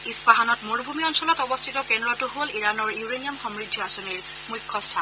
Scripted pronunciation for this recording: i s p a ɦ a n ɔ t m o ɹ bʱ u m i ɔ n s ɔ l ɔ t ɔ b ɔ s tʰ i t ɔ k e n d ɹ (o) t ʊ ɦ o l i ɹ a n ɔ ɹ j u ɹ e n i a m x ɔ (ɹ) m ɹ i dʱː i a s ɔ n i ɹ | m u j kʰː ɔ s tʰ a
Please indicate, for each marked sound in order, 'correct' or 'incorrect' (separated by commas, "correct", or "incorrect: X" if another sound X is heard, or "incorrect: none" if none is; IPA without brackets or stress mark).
incorrect: ɔ, incorrect: none